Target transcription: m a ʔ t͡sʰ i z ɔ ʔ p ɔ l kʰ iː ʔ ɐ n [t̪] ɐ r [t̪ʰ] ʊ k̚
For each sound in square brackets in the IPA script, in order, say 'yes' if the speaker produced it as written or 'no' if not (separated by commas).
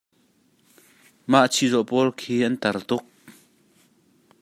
yes, no